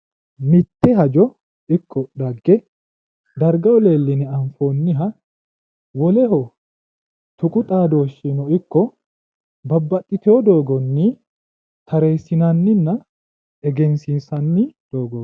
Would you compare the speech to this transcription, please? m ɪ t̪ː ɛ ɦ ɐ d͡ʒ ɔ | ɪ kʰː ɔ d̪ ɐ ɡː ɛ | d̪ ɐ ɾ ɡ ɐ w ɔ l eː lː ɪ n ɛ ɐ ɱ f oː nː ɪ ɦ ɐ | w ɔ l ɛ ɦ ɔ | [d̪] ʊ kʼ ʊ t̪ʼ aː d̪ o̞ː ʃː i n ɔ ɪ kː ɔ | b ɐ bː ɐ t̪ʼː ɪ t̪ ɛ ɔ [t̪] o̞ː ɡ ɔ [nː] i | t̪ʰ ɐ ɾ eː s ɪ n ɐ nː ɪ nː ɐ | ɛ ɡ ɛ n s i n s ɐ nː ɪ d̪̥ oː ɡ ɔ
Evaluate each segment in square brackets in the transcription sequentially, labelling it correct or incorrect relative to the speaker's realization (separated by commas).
incorrect, incorrect, correct